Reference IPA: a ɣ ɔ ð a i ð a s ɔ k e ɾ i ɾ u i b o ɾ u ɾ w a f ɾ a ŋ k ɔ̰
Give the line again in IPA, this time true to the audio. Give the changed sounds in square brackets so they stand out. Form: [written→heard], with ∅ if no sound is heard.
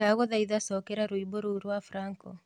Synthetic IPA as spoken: a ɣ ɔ ð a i ð a s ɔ k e ɾ [i→a] ɾ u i b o ɾ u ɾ w a f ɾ a ŋ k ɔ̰